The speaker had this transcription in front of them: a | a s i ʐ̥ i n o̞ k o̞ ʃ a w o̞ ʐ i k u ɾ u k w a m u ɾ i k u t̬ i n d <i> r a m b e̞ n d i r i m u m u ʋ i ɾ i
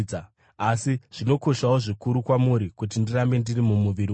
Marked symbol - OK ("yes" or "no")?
yes